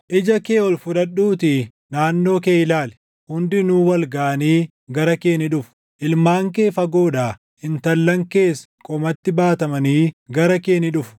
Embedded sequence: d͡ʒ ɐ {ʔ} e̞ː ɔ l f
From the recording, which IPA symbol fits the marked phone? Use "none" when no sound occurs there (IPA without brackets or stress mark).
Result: k